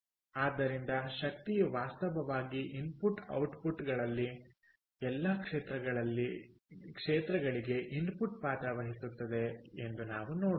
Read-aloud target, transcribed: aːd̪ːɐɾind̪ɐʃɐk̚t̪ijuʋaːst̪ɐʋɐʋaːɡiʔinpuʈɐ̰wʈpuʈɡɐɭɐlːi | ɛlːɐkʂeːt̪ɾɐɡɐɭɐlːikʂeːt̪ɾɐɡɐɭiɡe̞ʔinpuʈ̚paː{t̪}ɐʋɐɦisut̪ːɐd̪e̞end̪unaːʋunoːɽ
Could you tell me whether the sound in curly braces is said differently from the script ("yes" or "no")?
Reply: no